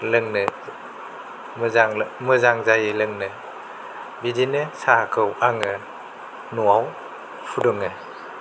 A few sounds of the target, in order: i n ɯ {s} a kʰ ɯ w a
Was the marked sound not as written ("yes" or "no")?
no